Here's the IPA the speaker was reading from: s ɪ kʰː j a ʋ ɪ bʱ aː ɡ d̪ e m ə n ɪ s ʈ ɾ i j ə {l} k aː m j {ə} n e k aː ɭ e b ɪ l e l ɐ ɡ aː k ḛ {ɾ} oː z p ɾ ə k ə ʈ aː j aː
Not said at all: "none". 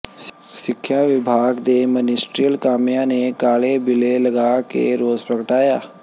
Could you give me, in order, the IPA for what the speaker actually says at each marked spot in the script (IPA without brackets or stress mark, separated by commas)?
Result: l, a, ɾ